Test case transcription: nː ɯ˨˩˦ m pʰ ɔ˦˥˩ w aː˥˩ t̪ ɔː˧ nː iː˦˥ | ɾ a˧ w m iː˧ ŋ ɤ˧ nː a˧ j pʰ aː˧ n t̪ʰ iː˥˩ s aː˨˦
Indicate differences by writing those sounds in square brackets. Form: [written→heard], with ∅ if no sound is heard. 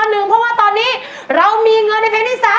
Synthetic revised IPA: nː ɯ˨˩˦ [m→ŋ] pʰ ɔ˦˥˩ w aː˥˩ t̪ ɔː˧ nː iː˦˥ | ɾ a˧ w m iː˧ ŋ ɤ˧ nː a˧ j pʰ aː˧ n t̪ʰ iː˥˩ s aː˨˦